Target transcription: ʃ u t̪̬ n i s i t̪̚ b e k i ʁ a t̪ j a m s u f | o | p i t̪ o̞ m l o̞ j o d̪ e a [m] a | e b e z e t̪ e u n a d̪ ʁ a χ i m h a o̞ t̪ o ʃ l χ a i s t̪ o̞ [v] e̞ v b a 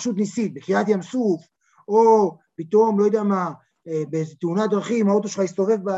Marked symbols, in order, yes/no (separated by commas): yes, yes